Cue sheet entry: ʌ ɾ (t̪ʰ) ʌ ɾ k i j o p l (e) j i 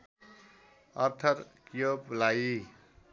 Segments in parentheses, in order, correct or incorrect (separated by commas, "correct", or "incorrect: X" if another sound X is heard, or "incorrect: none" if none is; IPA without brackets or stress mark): correct, incorrect: a